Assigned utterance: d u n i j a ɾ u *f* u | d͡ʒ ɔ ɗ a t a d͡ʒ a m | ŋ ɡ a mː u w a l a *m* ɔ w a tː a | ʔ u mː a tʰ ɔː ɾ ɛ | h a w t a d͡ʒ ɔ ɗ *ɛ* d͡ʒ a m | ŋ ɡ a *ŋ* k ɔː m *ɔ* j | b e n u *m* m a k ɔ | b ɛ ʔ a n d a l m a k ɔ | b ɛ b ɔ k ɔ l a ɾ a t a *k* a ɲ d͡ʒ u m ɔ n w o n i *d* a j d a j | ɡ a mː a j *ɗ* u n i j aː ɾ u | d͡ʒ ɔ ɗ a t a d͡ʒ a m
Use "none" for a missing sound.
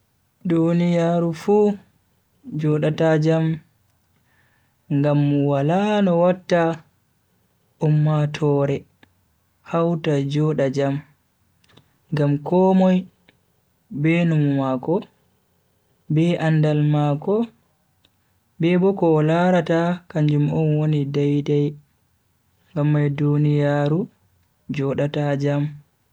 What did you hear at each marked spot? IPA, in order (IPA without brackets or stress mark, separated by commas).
f, n, a, m, ɔ, m, k, d, d